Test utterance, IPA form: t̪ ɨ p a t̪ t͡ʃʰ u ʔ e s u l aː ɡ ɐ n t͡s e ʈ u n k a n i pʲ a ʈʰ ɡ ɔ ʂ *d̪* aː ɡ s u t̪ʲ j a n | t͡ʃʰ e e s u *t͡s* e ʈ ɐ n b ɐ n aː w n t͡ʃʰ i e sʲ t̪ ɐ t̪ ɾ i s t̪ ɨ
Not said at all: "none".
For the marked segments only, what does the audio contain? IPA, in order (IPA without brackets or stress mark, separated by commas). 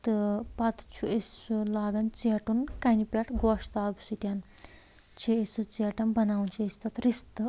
t̪, t͡s